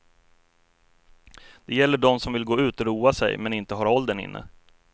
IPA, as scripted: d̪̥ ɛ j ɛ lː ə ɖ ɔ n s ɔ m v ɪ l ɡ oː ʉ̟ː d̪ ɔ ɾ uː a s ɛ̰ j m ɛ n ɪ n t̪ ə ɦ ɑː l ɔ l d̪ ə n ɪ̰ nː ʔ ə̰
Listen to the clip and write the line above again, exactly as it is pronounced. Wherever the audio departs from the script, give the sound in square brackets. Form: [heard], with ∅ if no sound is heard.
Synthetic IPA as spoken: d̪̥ ɛ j ɛ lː ə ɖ ɔ [m] s ɔ m v ɪ l ɡ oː ʉ̟ː [t̪] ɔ ɾ uː a s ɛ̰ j m ɛ n ɪ n t̪ ə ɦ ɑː [ɾ] ɔ l d̪ ə n ɪ̰ nː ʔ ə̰